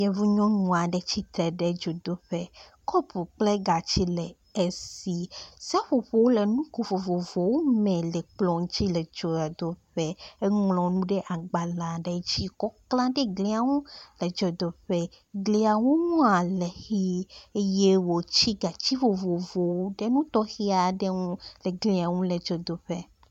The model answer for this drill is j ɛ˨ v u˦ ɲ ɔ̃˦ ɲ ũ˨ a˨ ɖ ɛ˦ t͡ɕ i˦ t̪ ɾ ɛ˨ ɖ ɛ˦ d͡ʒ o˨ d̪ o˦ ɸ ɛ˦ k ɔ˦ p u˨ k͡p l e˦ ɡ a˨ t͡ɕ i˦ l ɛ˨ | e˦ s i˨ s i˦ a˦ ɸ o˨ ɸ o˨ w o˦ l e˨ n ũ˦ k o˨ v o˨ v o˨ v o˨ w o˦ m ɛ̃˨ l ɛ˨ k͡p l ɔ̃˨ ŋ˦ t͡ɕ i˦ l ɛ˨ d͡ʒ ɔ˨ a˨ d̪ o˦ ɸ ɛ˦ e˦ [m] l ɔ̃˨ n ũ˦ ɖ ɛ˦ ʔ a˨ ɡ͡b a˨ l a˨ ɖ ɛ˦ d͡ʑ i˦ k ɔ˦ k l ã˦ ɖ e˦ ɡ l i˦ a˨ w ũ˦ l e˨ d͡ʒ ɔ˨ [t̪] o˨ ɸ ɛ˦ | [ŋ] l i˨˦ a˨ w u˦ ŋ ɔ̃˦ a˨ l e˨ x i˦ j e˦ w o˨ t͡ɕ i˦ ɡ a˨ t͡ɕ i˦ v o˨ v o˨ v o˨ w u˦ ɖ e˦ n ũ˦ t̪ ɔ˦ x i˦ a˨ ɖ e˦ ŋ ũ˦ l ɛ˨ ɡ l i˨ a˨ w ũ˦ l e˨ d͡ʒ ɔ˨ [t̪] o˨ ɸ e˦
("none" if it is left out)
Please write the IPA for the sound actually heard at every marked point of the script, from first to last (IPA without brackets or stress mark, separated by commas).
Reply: ŋ, d̪, ɡ, d̪